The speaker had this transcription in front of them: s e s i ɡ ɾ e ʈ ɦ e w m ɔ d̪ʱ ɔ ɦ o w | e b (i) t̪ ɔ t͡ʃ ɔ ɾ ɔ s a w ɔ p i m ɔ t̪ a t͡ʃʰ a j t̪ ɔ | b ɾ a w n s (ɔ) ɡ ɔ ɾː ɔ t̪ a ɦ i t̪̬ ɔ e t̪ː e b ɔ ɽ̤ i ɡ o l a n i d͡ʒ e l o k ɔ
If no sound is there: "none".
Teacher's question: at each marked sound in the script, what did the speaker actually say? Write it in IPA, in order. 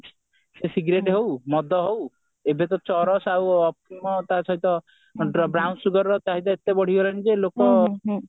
e, u

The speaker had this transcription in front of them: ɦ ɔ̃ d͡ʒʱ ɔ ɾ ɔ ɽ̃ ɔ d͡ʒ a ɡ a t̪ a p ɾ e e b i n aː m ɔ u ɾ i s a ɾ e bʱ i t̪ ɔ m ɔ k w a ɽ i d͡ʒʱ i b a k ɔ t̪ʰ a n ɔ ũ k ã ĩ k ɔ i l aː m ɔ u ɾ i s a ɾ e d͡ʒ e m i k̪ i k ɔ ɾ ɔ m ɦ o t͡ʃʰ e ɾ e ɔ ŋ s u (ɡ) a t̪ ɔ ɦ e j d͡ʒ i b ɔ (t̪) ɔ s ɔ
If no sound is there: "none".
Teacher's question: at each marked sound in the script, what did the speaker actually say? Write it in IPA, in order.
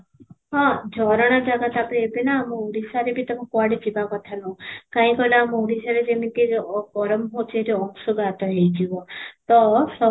ɡ, t̪

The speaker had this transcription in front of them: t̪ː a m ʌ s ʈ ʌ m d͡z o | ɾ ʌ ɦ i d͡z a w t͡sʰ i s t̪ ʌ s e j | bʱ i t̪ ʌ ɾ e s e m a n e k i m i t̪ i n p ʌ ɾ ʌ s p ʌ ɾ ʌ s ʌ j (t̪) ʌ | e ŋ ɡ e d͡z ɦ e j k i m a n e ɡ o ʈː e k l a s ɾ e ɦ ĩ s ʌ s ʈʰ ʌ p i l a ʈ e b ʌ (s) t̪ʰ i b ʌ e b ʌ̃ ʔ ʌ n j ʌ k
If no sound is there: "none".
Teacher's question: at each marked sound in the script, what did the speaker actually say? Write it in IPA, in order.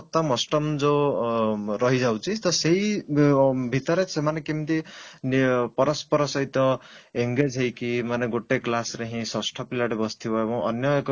t̪, s

